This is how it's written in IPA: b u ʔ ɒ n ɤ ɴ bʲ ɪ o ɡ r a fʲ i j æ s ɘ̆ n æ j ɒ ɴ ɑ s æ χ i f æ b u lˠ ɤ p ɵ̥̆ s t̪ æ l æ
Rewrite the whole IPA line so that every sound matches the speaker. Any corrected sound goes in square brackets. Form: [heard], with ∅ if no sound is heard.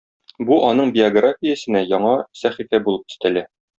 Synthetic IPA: b u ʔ ɒ n ɤ ɴ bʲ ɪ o ɡ r a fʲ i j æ s ɘ̆ n æ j ɒ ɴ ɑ s æ χ i f æ b u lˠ ɤ p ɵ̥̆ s t̪ æ l æ